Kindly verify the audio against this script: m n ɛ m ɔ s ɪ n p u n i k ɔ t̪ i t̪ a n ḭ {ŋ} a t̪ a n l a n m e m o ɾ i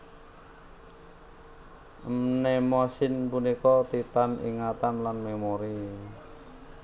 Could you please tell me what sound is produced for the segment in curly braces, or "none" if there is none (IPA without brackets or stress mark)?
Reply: ŋ